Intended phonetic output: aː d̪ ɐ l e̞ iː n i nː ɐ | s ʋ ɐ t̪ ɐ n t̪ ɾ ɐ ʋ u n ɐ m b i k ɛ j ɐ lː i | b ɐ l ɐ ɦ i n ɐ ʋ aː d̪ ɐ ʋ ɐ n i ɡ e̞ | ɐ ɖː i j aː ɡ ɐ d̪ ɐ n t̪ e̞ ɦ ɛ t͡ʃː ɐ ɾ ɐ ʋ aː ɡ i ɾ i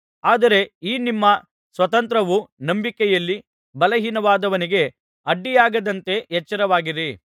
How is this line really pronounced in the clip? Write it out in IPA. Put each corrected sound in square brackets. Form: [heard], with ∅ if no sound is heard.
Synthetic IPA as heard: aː d̪ ɐ [ɾ] e̞ iː n i [mː] ɐ | s ʋ ɐ t̪ ɐ n t̪ ɾ ɐ ʋ u n ɐ m b i k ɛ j ɐ lː i | b ɐ l ɐ ɦ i n ɐ ʋ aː d̪ ɐ ʋ ɐ n i ɡ e̞ | ɐ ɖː i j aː ɡ ɐ d̪ ɐ n t̪ e̞ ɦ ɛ t͡ʃː ɐ ɾ ɐ ʋ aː ɡ i ɾ i